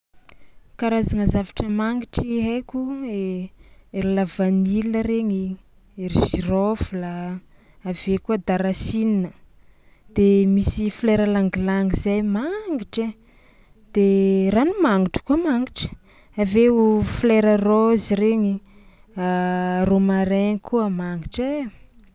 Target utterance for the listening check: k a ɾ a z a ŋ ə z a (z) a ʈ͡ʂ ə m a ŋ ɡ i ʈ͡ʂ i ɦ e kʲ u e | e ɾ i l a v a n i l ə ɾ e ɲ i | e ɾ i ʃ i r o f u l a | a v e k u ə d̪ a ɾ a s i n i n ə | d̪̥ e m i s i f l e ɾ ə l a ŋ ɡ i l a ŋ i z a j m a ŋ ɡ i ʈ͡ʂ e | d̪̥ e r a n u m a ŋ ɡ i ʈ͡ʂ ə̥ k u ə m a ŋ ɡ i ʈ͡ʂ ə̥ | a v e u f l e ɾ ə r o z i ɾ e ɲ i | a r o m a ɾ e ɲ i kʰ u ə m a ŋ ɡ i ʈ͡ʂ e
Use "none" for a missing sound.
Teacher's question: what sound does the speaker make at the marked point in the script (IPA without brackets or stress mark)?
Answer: v